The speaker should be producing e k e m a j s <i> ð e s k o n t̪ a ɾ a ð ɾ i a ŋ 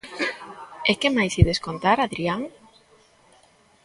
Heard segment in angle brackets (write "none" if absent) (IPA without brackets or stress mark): i